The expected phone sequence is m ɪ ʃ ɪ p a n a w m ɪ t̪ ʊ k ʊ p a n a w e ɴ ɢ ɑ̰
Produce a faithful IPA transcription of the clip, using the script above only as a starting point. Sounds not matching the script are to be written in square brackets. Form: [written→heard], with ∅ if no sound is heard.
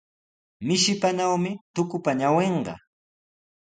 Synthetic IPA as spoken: m ɪ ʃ ɪ p a n a w m ɪ t̪ ʊ k ʊ p a [n→ɲ] a w e ɴ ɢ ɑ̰